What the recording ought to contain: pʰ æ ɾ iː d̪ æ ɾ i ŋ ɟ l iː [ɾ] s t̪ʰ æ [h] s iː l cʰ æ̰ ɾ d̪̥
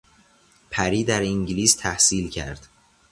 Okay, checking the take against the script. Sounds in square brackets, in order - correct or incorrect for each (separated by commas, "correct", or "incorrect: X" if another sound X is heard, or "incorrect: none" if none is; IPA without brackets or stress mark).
incorrect: none, correct